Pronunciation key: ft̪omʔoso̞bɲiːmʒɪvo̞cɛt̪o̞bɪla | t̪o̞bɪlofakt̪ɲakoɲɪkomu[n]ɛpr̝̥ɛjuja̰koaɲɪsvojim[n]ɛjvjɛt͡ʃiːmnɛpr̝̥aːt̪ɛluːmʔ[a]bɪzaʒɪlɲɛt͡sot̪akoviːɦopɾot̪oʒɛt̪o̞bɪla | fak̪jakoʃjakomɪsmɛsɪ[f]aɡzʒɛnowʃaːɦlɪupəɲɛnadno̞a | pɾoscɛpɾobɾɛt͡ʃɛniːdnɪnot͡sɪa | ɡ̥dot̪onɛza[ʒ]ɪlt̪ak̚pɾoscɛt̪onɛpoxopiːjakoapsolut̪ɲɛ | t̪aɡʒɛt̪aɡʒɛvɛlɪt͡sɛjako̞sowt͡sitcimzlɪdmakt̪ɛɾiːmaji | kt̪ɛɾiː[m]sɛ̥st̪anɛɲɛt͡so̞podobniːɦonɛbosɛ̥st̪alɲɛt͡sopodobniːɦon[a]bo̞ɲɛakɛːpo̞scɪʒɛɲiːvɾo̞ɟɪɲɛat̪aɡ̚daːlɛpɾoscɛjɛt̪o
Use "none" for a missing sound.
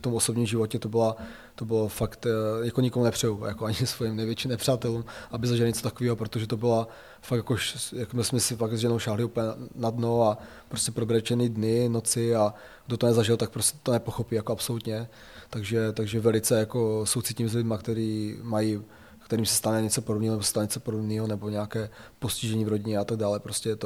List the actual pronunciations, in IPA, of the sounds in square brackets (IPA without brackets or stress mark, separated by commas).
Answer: n, n, a, f, ʒ, m, ɛ